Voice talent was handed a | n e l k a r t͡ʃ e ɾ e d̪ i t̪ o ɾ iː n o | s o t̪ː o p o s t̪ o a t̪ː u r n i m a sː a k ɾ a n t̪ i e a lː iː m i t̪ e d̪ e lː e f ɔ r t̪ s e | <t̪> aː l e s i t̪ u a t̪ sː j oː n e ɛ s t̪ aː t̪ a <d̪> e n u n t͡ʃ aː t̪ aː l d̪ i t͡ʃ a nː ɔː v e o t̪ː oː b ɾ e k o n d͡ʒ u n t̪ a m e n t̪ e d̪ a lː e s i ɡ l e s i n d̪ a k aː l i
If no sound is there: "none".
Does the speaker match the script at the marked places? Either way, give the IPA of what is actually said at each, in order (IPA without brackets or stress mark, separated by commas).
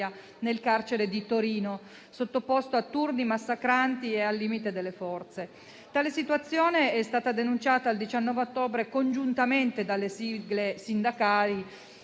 t̪, d̪